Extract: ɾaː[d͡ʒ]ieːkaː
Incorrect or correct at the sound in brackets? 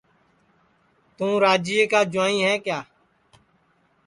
correct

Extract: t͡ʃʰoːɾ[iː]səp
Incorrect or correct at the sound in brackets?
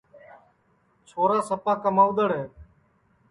incorrect: aː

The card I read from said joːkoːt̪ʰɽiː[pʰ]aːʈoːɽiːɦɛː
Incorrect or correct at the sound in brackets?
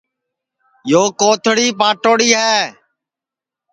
incorrect: p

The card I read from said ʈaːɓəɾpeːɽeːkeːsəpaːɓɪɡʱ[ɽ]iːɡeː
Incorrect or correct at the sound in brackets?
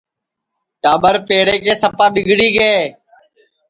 correct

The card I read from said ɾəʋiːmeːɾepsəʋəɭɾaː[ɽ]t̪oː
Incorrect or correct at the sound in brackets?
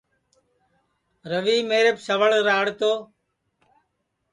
correct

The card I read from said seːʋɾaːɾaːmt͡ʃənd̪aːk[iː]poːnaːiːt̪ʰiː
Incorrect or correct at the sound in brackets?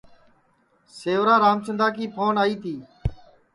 correct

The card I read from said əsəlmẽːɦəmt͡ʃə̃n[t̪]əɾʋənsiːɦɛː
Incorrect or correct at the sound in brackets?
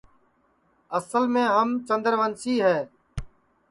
incorrect: d̪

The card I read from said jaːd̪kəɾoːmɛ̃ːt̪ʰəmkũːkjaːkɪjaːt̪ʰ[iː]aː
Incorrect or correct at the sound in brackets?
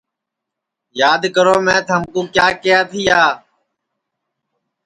correct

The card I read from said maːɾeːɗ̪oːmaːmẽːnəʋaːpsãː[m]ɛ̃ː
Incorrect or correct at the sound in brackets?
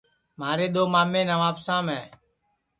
correct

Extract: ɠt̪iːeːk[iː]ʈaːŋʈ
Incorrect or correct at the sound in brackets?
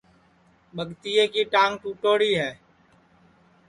correct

